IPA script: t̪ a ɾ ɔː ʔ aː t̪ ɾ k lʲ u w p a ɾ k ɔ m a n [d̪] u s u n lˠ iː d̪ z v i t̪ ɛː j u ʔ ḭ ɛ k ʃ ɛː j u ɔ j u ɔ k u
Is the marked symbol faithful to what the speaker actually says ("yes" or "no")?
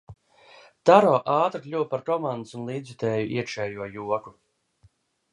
yes